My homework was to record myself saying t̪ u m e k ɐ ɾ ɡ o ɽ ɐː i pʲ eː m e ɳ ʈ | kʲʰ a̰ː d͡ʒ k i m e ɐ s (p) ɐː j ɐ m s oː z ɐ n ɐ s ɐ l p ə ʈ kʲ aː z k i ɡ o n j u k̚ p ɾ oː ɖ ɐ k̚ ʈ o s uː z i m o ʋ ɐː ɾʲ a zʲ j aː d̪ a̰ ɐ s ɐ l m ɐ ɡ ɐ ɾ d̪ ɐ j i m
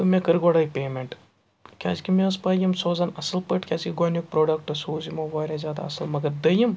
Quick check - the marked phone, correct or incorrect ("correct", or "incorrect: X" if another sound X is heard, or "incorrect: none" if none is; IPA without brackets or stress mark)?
correct